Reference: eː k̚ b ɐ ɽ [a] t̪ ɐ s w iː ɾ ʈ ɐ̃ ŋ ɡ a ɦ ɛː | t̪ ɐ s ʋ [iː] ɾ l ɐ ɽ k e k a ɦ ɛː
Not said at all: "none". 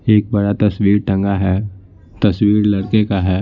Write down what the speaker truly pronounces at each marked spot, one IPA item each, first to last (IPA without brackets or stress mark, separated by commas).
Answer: a, iː